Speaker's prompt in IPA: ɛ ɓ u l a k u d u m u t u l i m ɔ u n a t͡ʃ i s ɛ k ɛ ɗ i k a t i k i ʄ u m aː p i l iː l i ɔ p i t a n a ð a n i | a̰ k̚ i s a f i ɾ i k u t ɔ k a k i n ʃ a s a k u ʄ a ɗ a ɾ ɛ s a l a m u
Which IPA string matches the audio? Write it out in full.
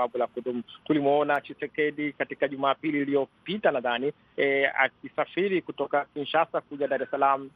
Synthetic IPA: a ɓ u l a k u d u m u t u l i m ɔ ɔ n a t͡ʃ i s ɛ k ɛ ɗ i k a t i k a ʄ u m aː p i l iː l i ɔ p i t a n a ð a n i | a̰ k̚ i s a f i ɾ i k u t ɔ k a k i n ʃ a s a k u ʄ a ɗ a ɾ ɛ s a l a m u